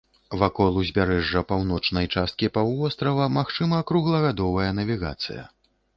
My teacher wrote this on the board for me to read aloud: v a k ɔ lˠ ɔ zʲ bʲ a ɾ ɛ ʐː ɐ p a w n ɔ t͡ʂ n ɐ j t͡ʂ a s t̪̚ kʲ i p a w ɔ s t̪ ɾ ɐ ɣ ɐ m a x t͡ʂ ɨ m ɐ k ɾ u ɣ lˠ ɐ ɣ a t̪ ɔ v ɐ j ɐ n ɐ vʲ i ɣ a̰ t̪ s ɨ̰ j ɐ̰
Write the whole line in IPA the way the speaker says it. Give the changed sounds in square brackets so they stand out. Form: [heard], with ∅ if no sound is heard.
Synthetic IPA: v a k ɔ lˠ [u] zʲ bʲ a ɾ ɛ ʐː ɐ p a w n ɔ t͡ʂ n ɐ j t͡ʂ a s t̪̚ kʲ i p a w ɔ s t̪ ɾ ɐ [v] ɐ m a x t͡ʂ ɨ m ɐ k ɾ u ɣ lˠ ɐ ɣ a [d̪] ɔ v ɐ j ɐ n ɐ vʲ i ɣ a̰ t̪ s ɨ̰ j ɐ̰